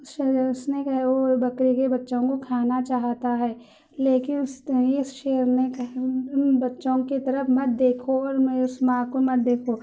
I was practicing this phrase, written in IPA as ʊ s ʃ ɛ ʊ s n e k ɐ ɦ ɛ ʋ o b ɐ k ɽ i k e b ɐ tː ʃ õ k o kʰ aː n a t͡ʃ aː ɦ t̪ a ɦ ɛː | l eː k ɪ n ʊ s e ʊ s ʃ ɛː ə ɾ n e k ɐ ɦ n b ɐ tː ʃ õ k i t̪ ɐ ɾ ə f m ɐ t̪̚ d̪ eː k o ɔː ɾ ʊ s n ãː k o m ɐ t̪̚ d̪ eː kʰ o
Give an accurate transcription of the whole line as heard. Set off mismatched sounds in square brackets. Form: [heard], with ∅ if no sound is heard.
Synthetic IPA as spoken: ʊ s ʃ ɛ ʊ s n e k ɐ ɦ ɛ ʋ o b ɐ k [ɾ] i k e b ɐ tː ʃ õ k o kʰ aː n a t͡ʃ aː ɦ t̪ a ɦ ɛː | l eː k ɪ n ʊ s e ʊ s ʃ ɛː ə ɾ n e k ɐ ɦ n b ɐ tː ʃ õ k i t̪ ɐ ɾ ə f m ɐ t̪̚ d̪ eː [kʰ] o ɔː ɾ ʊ s [m] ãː k o m ɐ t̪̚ d̪ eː kʰ o